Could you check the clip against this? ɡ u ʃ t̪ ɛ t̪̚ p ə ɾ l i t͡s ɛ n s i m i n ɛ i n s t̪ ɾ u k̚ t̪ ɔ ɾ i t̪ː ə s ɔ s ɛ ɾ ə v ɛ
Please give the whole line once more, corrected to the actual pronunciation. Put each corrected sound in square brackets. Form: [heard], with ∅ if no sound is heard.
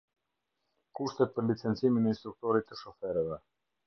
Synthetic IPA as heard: [k] u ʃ t̪ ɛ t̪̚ p ə ɾ l i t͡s ɛ n [t͡s] i m i n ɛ i n s t̪ ɾ u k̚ t̪ ɔ ɾ i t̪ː ə [ʃ] ɔ [f] ɛ ɾ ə v ɛ